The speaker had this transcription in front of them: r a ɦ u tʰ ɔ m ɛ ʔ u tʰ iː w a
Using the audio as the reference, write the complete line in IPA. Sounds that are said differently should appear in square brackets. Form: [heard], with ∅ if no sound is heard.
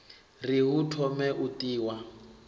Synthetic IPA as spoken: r [i] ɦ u tʰ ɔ m ɛ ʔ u [t] iː w a